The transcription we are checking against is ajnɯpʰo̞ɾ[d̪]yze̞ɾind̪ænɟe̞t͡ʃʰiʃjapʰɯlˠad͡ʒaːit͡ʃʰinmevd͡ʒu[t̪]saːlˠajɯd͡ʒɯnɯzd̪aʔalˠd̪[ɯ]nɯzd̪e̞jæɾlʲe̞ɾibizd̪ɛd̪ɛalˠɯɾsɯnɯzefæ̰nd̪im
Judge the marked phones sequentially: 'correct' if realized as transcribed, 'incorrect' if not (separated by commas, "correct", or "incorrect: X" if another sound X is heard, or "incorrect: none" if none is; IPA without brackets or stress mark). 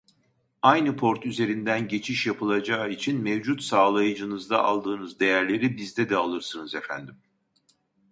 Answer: incorrect: t̪, correct, incorrect: ɯː